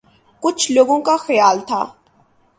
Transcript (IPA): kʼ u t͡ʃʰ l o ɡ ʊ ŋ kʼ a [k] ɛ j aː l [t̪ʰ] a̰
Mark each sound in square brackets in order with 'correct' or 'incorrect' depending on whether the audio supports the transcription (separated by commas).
incorrect, correct